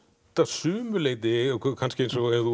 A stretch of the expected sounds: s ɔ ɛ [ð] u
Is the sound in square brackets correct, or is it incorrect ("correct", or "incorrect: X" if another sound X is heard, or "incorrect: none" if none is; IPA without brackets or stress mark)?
correct